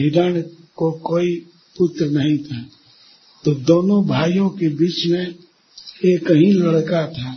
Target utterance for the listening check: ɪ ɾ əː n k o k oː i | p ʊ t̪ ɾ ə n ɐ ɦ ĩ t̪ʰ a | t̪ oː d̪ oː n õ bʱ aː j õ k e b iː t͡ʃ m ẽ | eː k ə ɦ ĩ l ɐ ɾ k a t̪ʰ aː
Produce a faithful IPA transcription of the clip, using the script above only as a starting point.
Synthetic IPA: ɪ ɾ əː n k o k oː i | p ʊ t̪ ɾ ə n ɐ ɦ ĩ t̪ʰ a | t̪ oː d̪ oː n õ bʱ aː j õ k e b iː t͡ʃ m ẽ | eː k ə ɦ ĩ l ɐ ɽ k a t̪ʰ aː